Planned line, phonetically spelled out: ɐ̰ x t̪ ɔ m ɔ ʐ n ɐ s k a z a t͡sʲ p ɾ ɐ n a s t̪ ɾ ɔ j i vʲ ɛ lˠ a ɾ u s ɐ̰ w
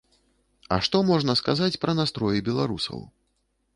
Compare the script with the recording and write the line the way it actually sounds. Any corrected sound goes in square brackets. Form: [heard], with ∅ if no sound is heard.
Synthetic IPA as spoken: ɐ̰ [ʂ] t̪ ɔ m ɔ ʐ n ɐ s k a z a t͡sʲ p ɾ ɐ n a s t̪ ɾ ɔ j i [bʲ] ɛ lˠ a ɾ u s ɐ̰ w